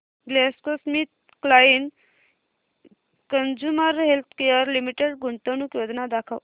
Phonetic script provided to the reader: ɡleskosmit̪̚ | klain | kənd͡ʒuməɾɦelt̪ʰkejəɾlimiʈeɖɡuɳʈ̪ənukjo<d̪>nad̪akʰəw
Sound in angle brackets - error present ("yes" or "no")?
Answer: no